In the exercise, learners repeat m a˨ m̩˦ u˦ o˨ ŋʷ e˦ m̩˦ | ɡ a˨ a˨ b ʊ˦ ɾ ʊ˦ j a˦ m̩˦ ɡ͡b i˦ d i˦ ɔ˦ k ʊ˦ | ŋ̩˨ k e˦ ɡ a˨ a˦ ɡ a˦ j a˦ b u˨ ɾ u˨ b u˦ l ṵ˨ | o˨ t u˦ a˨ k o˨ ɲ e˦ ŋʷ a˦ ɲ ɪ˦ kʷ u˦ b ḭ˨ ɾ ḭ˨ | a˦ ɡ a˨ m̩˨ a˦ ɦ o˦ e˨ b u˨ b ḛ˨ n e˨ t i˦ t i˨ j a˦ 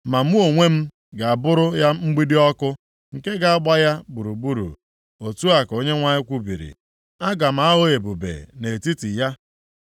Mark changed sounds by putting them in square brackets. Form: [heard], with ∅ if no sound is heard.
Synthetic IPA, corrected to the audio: m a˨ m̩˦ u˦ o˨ ŋʷ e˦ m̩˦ | ɡ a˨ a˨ b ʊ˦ ɾ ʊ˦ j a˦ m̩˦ ɡ͡b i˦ d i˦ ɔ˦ k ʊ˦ | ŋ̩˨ k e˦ ɡ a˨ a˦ [ɡ͡b] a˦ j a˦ b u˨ ɾ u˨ b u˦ [ɾ] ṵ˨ | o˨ t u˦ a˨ k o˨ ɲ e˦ ŋʷ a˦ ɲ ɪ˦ kʷ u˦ b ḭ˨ ɾ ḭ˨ | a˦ ɡ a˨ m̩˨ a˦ ɦ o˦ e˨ b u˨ b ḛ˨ n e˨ t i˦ t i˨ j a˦